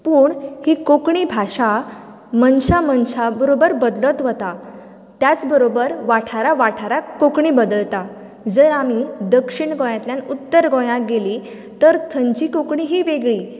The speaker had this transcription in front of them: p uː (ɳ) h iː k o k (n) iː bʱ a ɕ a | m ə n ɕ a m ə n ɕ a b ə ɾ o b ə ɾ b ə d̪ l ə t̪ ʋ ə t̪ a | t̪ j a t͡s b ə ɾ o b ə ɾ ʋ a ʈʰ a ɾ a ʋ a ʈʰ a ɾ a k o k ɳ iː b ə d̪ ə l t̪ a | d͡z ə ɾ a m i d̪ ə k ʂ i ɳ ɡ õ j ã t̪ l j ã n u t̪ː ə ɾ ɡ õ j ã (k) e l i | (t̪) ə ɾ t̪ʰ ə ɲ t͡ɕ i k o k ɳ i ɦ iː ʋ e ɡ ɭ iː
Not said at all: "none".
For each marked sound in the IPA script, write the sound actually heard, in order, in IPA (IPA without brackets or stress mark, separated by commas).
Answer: ɳ, ɳ, ɡ, t̪